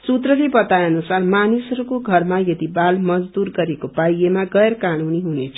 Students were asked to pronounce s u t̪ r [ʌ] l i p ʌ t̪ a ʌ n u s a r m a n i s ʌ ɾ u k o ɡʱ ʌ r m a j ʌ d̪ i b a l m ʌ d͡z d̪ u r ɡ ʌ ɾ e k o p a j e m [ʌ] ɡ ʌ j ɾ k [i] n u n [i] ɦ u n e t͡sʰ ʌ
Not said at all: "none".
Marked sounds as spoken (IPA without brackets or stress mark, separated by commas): ʌ, a, a, i